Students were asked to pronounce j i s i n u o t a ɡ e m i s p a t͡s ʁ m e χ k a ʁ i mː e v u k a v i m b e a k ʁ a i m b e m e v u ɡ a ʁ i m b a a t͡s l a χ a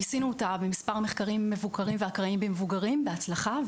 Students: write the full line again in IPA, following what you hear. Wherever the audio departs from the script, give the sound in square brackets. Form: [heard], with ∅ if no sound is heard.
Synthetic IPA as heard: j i s i n u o t a [b] e m i s p a [∅] ʁ m e χ k a ʁ i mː e v u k a [ʁ] i m [v] e a k ʁ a i m b e m e v u ɡ a ʁ i m b [e] a t͡s l a χ a